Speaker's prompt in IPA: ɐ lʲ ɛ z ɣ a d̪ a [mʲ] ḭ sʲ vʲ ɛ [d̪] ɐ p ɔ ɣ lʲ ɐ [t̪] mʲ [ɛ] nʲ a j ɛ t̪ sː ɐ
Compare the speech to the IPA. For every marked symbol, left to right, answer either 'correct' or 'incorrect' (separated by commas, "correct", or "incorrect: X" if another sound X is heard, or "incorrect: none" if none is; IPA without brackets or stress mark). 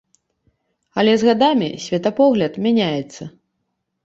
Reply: correct, incorrect: t̪, correct, incorrect: a